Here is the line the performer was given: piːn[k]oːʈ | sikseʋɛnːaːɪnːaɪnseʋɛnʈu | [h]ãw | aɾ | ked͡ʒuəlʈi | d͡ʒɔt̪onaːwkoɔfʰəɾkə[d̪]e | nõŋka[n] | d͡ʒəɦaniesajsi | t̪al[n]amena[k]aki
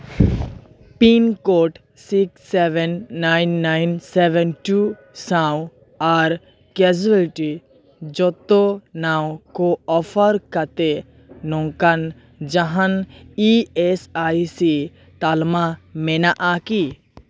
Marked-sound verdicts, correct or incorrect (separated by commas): correct, incorrect, incorrect, correct, incorrect, incorrect